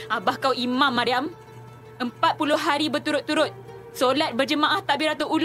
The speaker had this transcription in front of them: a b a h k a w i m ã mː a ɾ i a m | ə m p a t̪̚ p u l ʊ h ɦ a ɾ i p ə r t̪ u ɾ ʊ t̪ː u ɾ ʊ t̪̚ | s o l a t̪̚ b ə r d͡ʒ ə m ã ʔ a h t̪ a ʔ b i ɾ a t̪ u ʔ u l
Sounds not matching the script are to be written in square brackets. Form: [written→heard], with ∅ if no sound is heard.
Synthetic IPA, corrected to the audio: a b a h k a w i m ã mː a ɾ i a m | ə m p a t̪̚ p u l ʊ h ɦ a ɾ i [p→b] ə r t̪ u ɾ ʊ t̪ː u ɾ ʊ t̪̚ | s o l a t̪̚ b ə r d͡ʒ ə m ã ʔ a h t̪ a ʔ b i ɾ a t̪ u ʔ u l